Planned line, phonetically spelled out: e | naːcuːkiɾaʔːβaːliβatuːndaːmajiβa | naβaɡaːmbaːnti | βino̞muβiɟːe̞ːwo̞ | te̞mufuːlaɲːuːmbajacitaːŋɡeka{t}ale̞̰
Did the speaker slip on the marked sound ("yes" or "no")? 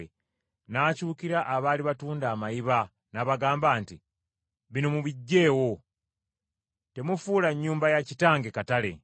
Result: no